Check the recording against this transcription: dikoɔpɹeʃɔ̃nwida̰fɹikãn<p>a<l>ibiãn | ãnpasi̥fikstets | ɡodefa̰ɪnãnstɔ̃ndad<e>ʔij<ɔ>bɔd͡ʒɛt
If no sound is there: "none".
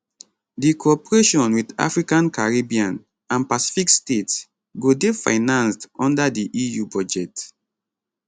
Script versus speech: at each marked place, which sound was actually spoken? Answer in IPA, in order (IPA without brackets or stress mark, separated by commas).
k, ɹ, i, u